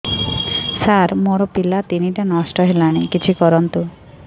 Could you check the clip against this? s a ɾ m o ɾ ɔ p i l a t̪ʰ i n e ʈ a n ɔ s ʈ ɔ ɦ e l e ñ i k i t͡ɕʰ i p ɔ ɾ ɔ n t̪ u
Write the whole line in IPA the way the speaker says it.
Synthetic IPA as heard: s a ɾ m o ɾ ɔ p i l a t̪ i n i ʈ a n ɔ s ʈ ɔ ɦ e l a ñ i k i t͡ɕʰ i k ɔ ɾ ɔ n t̪ u